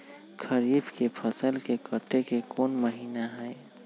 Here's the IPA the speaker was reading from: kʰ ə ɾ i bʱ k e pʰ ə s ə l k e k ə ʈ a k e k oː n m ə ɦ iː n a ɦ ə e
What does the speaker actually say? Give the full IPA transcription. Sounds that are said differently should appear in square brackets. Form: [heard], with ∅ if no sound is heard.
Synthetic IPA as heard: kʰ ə ɾ i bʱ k e pʰ ə s ə l k e k ə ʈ [e] k e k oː n m ə ɦ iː n a ɦ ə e